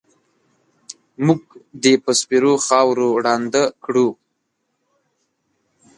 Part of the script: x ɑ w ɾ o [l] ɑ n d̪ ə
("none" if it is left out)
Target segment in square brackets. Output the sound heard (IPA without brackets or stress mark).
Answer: ɽ